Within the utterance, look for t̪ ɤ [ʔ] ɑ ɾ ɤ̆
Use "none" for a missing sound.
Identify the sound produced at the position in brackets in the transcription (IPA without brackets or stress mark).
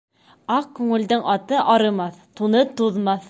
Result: ʔ